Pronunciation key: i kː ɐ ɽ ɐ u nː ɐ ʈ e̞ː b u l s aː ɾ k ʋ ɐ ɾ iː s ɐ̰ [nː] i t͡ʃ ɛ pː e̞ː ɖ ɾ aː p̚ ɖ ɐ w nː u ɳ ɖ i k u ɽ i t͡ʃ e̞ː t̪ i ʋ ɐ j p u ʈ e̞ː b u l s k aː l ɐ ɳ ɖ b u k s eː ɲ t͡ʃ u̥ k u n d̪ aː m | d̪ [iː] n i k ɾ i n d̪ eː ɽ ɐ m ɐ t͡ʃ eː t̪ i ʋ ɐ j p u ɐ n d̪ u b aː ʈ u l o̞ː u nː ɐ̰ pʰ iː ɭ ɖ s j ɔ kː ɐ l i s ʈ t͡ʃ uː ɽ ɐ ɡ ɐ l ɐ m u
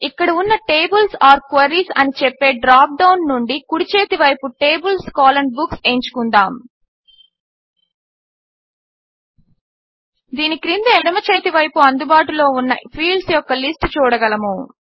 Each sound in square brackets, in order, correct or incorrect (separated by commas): incorrect, correct